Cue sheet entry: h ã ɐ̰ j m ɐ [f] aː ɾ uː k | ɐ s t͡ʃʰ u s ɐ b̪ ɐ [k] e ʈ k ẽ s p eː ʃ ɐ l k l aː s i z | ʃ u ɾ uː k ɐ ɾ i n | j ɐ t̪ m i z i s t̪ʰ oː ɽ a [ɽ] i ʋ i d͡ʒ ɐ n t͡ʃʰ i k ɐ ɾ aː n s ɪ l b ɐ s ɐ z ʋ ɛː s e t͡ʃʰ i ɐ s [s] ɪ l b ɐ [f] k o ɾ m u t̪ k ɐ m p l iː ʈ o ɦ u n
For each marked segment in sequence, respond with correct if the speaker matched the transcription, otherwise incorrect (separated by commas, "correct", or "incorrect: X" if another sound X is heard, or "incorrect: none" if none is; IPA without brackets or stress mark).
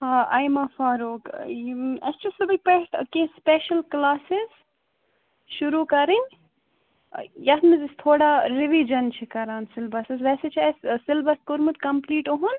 correct, incorrect: p, incorrect: ɾ, correct, incorrect: s